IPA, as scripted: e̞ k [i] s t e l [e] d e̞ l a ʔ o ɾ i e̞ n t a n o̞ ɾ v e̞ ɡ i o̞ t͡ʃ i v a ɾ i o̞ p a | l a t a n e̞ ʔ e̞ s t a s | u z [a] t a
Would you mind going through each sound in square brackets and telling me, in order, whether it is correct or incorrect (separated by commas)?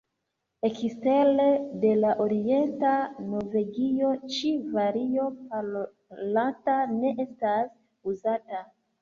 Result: correct, correct, correct